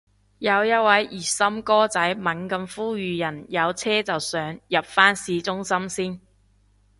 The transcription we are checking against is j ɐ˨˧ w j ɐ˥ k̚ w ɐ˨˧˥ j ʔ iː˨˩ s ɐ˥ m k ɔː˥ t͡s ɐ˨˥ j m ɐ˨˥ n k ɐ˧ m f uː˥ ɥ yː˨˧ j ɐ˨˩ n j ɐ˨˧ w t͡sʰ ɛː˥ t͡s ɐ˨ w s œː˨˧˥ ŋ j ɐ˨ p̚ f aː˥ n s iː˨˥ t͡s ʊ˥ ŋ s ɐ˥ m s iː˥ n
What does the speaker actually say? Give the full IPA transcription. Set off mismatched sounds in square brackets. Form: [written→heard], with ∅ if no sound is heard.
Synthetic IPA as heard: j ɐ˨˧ w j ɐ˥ [k̚→t̚] w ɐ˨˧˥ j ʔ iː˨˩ s ɐ˥ m k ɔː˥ t͡s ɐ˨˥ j m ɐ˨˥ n k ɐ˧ m f uː˥ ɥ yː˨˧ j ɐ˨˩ n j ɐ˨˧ w t͡sʰ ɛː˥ t͡s ɐ˨ w s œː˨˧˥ ŋ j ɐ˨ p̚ f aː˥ n s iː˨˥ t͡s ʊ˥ ŋ s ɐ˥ m s iː˥ n